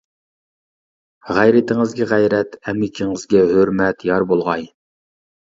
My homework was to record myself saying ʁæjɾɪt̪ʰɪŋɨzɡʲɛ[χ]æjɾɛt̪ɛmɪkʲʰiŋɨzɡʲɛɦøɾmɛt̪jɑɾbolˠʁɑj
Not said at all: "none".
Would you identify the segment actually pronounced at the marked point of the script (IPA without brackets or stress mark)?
ʁ